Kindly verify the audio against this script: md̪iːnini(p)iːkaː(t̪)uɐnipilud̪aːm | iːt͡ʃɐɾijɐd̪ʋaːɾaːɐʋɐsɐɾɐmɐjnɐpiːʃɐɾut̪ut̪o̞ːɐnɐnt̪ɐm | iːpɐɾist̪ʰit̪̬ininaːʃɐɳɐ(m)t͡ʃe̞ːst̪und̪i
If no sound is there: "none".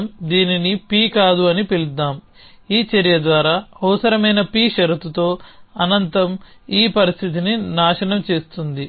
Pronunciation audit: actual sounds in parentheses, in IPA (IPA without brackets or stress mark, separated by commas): p, d̪, m